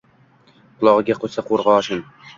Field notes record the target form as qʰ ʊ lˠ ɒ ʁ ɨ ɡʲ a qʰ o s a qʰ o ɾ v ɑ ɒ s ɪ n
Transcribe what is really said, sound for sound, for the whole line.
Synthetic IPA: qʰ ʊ lˠ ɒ ʁ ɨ ɡʲ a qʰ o s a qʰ o ɾ ʁ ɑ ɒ ʃ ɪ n

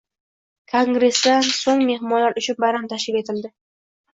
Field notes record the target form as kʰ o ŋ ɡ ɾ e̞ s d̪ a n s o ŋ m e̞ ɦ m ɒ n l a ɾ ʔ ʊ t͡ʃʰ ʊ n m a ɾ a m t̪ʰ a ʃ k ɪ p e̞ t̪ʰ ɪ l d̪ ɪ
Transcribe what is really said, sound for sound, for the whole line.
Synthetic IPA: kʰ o ŋ ɡ ɾ e̞ s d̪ a n s o ŋ m e̞ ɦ m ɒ n l a ɾ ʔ ʊ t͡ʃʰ ʊ n b a ɾ a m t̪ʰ a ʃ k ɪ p e̞ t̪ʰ ɪ l d̪ ɪ

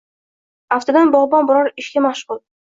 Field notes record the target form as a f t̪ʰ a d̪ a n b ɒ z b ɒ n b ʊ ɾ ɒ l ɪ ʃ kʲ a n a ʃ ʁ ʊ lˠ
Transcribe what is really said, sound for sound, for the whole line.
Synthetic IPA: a f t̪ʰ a d̪ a n b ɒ ʁ b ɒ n b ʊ ɾ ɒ ɾ ɪ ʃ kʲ a m a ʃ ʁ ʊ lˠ

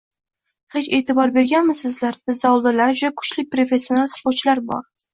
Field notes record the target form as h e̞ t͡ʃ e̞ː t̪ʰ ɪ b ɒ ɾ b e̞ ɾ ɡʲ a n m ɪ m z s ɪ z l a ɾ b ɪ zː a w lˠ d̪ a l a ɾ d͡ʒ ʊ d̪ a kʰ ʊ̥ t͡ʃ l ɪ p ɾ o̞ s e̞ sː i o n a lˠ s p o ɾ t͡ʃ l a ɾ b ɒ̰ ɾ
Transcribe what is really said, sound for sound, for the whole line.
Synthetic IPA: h e̞ t͡ʃ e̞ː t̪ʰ ɪ b ɒ ɾ b e̞ ɾ ɡʲ a n m ɪ z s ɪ z l a ɾ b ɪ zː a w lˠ d̪ a l a ɾ d͡ʒ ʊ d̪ a kʰ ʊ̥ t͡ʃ l ɪ p ɾ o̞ f e̞ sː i o n a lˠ s p o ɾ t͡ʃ l a ɾ b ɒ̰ ɾ

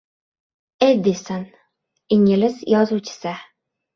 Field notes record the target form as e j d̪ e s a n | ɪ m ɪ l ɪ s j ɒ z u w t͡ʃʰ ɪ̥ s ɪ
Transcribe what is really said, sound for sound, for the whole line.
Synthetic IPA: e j d̪ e s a n | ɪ ŋ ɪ l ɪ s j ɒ z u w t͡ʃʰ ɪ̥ s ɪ

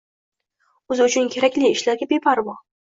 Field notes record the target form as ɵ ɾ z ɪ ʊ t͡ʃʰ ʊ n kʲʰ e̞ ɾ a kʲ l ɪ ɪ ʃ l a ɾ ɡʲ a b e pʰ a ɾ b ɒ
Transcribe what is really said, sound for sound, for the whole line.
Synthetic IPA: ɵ z ɪ ʊ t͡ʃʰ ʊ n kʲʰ e̞ ɾ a kʲ l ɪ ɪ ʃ l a ɾ ɡʲ a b e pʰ a ɾ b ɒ

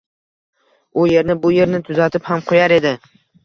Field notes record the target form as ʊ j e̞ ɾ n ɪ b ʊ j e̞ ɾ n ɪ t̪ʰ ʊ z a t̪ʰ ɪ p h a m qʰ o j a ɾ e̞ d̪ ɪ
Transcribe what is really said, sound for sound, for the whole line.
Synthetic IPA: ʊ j e̞ ɾ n ɪ b ʊ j e̞ ɾ n ɪ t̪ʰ ʊ z a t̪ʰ ɪ p h a m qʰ o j a ɾ e̞ d̪ ɪ

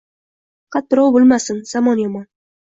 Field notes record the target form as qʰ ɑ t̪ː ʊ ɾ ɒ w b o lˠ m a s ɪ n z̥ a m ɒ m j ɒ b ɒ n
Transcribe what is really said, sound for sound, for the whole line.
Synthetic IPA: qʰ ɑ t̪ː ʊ ɾ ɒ w b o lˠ m a s ɪ n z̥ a m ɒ n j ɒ m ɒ n

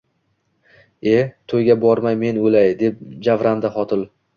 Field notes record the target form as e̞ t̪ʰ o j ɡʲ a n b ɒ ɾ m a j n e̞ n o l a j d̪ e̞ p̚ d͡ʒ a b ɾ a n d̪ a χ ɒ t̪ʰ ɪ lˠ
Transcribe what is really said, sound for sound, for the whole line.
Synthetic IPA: e̞ t̪ʰ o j ɡʲ a b ɒ ɾ m a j m e̞ n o l a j d̪ e̞ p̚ d͡ʒ a v ɾ a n d̪ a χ ɒ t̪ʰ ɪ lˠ

